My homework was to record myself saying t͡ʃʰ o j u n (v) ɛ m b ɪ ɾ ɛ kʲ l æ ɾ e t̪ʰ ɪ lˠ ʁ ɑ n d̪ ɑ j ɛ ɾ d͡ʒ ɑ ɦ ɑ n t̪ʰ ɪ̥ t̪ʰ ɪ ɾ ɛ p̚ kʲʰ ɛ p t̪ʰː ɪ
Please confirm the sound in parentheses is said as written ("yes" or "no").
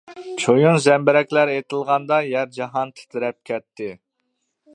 no